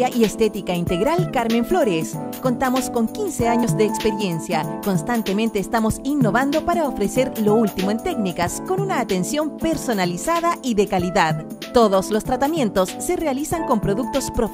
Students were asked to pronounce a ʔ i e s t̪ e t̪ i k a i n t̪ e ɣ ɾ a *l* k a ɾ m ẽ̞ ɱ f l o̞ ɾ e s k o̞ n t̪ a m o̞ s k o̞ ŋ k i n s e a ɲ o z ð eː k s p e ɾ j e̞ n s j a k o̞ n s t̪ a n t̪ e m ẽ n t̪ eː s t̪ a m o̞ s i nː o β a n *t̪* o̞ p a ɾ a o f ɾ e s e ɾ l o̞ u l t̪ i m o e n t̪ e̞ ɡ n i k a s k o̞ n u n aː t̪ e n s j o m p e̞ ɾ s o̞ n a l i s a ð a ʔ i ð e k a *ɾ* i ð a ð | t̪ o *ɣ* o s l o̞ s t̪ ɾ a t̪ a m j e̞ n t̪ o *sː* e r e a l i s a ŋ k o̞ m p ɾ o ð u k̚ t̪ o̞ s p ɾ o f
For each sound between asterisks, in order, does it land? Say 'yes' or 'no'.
yes, no, no, no, yes

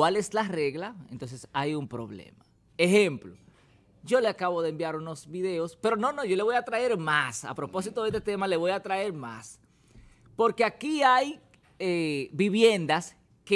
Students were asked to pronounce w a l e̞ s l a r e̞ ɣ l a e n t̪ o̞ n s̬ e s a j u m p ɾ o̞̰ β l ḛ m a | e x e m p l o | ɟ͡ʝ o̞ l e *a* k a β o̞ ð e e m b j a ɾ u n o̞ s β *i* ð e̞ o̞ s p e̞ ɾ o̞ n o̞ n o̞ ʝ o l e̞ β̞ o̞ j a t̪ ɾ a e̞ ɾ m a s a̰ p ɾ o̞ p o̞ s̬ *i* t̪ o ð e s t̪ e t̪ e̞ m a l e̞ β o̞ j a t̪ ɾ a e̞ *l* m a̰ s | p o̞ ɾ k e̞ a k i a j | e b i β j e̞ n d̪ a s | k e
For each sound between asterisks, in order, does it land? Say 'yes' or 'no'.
yes, yes, yes, no

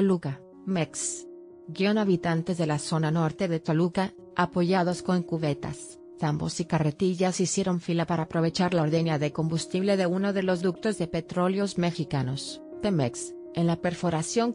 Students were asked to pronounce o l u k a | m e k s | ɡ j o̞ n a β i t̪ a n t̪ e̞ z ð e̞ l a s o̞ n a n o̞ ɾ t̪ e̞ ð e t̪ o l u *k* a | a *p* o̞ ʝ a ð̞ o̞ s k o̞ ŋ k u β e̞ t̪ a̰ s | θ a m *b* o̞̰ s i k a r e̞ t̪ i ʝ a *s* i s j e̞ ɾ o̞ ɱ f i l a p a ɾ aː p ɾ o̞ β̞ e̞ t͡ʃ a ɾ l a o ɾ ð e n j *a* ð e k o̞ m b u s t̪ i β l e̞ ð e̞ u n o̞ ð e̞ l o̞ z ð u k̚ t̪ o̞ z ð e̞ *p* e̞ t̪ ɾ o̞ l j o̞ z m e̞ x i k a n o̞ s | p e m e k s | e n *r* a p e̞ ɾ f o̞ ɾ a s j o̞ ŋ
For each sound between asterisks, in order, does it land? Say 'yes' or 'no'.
yes, yes, yes, yes, yes, yes, no

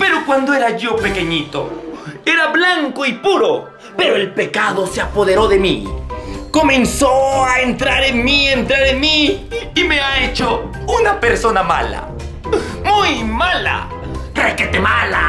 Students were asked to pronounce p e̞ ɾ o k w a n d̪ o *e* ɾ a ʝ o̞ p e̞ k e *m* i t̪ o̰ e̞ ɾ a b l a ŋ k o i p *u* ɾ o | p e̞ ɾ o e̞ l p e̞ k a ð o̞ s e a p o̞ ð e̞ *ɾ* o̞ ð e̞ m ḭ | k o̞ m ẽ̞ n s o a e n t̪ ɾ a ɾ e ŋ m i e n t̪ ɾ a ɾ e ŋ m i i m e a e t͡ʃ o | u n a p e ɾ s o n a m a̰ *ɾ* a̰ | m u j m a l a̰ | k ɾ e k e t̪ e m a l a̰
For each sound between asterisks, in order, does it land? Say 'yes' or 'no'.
yes, no, yes, yes, no

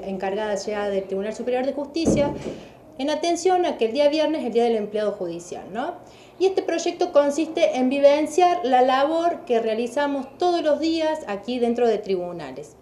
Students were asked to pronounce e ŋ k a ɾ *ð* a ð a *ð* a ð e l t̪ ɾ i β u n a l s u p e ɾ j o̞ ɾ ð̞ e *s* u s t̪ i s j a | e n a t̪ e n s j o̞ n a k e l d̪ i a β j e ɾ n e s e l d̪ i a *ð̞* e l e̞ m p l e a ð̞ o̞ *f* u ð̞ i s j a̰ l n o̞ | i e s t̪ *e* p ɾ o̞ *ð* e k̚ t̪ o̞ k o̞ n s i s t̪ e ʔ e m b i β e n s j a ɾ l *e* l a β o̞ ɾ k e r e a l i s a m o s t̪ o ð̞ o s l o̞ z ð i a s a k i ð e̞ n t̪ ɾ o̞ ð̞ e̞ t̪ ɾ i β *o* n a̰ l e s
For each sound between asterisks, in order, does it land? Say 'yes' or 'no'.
no, no, no, yes, no, yes, no, no, no

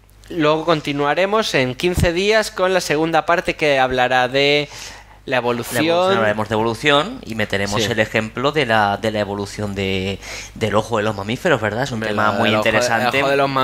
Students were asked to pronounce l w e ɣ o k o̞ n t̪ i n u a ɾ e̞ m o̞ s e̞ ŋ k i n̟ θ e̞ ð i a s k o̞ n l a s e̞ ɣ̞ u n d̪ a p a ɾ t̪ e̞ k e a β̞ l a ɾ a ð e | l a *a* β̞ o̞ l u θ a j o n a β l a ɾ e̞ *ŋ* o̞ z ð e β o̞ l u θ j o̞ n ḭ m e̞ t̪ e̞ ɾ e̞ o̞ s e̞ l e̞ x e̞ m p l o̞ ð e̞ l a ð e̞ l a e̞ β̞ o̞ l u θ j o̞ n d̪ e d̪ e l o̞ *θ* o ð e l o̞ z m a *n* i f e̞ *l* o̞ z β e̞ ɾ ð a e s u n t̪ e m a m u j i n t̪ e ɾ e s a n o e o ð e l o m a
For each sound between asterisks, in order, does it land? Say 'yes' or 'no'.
no, no, no, no, no

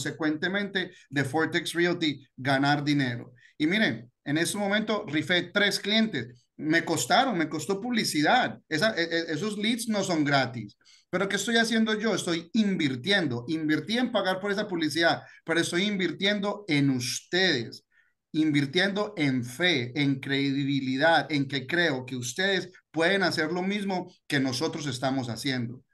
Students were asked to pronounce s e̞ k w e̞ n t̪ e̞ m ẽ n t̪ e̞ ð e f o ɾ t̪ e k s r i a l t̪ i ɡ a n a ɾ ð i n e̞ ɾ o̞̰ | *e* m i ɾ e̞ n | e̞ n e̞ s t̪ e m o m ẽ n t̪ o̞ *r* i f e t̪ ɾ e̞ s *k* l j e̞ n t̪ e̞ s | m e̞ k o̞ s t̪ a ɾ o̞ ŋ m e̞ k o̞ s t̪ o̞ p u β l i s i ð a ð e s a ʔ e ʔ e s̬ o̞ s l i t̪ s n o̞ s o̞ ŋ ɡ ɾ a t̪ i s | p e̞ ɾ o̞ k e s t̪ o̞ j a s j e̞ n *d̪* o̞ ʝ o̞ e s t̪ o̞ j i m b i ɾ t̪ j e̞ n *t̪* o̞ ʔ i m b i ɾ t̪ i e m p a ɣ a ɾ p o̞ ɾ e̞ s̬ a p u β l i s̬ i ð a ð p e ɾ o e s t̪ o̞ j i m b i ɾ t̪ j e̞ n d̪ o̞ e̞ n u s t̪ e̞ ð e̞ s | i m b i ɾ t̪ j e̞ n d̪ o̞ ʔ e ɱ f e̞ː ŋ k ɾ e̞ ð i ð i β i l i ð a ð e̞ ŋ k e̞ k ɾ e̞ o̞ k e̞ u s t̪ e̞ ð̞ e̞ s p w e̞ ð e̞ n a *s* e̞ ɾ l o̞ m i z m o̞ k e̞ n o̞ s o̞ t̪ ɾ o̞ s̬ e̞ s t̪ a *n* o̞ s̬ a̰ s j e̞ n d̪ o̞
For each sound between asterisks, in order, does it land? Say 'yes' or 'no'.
no, yes, yes, yes, no, yes, no

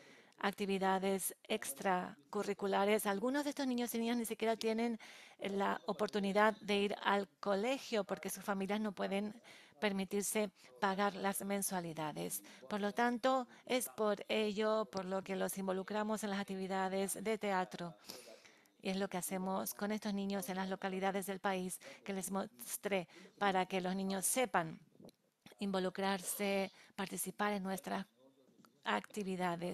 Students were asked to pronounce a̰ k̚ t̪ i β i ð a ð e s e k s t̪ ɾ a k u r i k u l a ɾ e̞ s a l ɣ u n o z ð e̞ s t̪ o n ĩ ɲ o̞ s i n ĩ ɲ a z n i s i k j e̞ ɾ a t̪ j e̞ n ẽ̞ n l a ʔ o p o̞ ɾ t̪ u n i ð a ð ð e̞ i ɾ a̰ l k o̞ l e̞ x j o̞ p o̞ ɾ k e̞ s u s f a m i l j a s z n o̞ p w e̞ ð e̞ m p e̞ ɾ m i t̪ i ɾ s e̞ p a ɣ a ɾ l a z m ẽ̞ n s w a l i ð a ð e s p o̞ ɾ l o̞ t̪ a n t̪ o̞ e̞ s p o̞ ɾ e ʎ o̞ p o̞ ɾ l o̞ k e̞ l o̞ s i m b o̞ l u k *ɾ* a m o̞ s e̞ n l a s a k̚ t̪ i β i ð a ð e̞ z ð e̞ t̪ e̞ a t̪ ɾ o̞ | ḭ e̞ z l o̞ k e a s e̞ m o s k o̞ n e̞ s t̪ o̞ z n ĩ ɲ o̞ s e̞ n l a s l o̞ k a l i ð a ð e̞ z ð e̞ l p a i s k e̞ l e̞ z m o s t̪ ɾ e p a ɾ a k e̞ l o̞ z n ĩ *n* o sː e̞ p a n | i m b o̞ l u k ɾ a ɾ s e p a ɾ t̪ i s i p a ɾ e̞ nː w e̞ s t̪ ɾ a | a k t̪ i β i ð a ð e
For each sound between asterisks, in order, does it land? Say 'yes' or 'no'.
yes, no

